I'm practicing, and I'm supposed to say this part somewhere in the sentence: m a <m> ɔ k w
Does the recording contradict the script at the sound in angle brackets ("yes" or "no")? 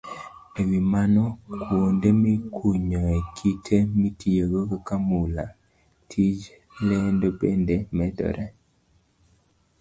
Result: yes